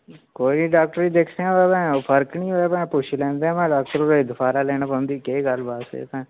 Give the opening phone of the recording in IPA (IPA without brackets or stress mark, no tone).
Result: k